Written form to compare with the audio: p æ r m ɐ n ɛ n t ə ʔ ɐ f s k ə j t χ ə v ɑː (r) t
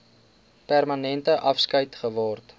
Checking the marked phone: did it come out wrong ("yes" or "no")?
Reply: no